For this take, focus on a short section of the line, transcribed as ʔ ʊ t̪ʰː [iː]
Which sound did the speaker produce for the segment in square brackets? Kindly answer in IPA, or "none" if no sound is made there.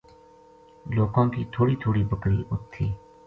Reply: iː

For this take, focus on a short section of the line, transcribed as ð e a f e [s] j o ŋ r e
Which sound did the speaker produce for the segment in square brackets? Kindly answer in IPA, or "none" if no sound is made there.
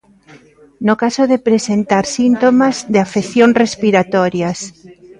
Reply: θ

